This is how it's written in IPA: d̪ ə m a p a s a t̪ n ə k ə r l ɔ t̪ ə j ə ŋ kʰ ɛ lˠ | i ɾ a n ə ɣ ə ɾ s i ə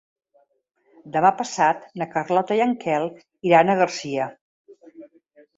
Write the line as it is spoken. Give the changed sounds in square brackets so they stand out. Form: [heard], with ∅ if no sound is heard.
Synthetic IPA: d̪ ə m a p [ə] s a t̪ n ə k ə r l ɔ t̪ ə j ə ŋ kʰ ɛ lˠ | i ɾ a n ə ɣ ə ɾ s i ə